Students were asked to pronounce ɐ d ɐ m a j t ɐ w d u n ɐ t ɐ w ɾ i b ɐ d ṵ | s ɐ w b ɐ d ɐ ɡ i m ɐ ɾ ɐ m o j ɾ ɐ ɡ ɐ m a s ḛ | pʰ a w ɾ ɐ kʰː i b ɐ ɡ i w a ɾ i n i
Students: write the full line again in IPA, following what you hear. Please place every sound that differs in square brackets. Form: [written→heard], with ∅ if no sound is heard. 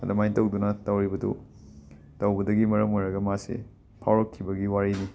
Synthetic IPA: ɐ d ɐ m a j t ɐ w d u n ɐ t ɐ w ɾ i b ɐ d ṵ | [s→t] ɐ w b ɐ d ɐ ɡ i m ɐ ɾ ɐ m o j ɾ ɐ ɡ ɐ m a s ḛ | pʰ a w ɾ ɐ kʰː i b ɐ ɡ i w a ɾ i n i